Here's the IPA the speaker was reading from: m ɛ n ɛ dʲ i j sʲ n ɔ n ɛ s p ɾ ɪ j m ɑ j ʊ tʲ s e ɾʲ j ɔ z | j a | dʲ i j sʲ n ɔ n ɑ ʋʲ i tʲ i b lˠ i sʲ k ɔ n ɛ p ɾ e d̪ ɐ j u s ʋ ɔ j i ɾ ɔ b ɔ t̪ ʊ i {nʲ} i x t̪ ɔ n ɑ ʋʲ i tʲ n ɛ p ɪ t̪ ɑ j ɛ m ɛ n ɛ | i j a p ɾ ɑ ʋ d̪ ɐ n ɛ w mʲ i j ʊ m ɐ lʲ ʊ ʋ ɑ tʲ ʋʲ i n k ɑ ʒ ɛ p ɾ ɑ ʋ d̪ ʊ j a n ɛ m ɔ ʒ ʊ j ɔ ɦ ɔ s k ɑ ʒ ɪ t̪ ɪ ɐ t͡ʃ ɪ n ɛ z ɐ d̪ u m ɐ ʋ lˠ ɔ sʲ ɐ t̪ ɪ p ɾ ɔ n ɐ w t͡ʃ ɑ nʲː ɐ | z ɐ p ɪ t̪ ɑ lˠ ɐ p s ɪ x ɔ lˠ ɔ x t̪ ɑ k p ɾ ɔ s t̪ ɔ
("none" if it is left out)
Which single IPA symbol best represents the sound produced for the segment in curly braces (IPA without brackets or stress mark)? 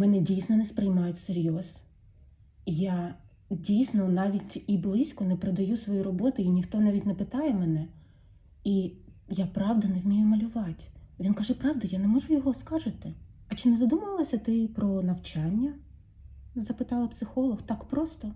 nʲ